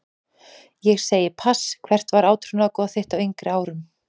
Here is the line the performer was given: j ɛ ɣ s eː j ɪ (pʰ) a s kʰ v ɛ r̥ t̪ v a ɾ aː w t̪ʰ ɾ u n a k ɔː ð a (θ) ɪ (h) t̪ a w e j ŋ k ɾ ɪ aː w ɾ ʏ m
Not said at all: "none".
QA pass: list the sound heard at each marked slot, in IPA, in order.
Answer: pʰ, θ, h

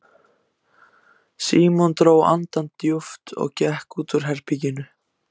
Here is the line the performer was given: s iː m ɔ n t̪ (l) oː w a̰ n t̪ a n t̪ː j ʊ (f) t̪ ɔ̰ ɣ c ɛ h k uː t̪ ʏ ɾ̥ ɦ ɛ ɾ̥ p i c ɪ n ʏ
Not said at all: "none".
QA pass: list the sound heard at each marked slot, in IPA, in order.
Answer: ɾ, f

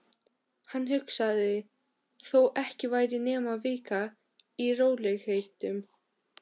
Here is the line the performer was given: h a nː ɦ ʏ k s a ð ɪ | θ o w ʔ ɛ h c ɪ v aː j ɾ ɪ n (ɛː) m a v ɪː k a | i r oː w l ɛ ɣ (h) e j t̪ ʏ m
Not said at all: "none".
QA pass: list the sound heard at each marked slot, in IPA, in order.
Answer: ɛː, h

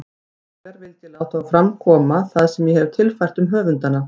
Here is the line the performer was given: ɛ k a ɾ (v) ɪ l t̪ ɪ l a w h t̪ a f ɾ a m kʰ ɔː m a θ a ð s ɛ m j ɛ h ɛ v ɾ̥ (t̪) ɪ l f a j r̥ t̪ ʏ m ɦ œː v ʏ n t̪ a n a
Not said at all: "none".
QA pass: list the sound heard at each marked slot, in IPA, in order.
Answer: v, t̪ʰ

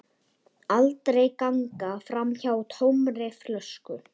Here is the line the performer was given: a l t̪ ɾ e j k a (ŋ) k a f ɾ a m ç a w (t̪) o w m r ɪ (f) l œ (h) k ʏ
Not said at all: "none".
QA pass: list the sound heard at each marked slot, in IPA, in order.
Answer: ŋ, t̪ʰ, f, s

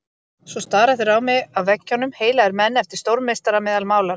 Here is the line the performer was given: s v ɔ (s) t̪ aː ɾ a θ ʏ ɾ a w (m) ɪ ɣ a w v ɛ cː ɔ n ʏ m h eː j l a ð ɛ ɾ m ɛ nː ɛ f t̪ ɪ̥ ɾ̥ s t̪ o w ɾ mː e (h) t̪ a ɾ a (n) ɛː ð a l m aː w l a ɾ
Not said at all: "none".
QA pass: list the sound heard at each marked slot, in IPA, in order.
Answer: s, m, s, m

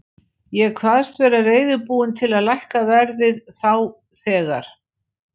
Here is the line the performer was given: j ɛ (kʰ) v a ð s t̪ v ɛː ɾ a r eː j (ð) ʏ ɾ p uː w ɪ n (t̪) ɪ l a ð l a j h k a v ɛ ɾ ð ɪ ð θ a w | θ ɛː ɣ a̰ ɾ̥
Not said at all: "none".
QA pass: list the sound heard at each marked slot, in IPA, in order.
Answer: kʰ, ð, t̪ʰ

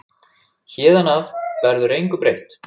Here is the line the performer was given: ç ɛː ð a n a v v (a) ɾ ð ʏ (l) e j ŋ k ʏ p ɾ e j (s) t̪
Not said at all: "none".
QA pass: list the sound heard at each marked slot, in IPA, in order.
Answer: ɛ, ɾ, h

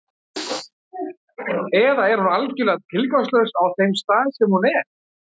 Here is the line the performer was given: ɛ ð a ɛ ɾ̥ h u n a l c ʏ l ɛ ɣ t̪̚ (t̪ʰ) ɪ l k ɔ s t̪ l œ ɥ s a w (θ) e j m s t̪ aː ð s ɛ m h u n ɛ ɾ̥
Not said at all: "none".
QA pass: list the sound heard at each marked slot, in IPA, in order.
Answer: t̪ʰ, θ

